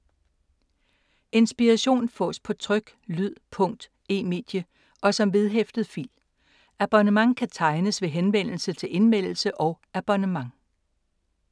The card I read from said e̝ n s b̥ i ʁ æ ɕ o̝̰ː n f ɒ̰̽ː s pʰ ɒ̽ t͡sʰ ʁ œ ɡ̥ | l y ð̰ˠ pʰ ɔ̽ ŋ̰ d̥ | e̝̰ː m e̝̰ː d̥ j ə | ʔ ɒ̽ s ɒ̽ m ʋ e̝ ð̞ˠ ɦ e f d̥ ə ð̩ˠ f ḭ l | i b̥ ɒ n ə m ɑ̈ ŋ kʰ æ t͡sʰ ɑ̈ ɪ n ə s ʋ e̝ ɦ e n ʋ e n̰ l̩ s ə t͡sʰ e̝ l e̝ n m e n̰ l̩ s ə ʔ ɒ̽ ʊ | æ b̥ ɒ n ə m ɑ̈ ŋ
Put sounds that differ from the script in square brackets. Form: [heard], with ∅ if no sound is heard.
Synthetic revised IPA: e̝ n s b̥ i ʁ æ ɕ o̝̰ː n f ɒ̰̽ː s pʰ ɒ̽ t͡sʰ ʁ œ ɡ̥ | l y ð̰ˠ pʰ ɔ̽ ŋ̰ d̥ | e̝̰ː m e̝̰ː d̥ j ə | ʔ ɒ̽ s ɒ̽ m ʋ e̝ ð̞ˠ ɦ e f d̥ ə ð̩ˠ f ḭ l | [æ] b̥ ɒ n ə m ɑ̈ ŋ kʰ æ t͡sʰ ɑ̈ ɪ n ə s ʋ e̝ ɦ e n ʋ e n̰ l̩ s ə t͡sʰ e̝ l e̝ n m e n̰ l̩ s ə ʔ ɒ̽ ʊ | æ b̥ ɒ n ə m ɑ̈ ŋ

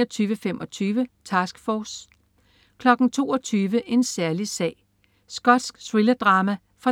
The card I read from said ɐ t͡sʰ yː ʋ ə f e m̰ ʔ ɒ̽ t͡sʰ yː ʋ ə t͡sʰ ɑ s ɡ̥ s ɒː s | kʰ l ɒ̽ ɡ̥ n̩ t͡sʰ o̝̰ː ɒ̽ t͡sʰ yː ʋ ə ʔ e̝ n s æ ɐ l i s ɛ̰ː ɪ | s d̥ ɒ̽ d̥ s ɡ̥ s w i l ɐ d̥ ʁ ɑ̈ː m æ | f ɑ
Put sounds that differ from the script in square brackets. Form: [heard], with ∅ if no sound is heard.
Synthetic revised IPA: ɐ t͡sʰ yː ʋ ə f e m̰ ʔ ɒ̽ t͡sʰ yː ʋ ə t͡sʰ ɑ s ɡ̥ [f] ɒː s | kʰ l ɒ̽ ɡ̥ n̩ t͡sʰ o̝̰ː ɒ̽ t͡sʰ yː ʋ ə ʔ e̝ n s æ ɐ l i s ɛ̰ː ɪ | s [ɡ̥] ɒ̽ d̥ s ɡ̥ s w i l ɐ d̥ ʁ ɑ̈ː m æ | f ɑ

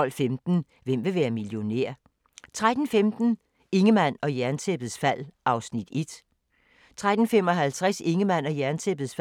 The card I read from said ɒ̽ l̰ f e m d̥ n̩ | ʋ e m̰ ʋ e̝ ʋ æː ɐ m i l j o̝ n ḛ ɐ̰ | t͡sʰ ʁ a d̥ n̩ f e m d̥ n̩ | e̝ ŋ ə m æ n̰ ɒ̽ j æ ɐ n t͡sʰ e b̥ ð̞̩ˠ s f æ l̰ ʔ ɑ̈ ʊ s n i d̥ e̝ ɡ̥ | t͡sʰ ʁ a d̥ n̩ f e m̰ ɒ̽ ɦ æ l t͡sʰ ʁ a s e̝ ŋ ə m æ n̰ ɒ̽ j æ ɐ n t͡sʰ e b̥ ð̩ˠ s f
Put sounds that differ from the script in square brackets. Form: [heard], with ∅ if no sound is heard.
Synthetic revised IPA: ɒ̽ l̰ f e m d̥ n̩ | ʋ e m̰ ʋ e̝ ʋ æː ɐ m i l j o̝ n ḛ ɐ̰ | t͡sʰ ʁ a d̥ n̩ f e m d̥ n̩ | e̝ ŋ ə m æ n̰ ɒ̽ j æ ɐ n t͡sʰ e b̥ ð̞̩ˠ s f æ l̰ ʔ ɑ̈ ʊ s n i d̥ e̝ [d̥] | t͡sʰ ʁ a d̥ n̩ f e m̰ ɒ̽ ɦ æ l t͡sʰ ʁ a s e̝ ŋ ə m æ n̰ ɒ̽ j æ ɐ n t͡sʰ e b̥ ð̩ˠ s f

